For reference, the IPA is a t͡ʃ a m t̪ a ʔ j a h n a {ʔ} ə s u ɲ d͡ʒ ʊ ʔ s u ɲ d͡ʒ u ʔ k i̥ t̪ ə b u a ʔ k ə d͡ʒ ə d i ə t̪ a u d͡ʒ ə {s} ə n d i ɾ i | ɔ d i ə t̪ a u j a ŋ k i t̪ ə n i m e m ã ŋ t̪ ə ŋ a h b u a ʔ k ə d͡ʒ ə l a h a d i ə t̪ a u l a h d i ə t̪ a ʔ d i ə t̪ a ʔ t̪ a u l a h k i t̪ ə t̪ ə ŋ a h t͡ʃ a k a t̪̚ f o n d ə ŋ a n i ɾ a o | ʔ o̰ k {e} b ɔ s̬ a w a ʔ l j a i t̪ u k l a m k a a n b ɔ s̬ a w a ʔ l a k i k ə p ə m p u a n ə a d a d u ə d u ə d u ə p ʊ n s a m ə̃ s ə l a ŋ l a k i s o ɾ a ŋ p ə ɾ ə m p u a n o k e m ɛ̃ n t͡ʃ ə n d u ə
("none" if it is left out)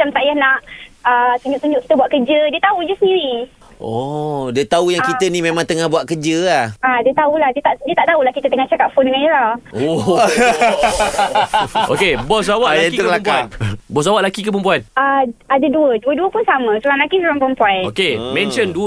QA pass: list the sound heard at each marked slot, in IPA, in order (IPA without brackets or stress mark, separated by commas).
ʔ, s, e